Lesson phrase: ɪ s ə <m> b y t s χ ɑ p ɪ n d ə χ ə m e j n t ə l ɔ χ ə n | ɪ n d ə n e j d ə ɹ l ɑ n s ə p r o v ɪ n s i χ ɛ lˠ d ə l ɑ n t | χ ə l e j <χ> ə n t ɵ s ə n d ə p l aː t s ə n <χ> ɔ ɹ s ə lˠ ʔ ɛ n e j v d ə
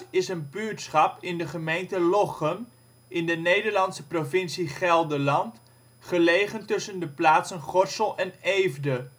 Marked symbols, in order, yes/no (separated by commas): no, yes, yes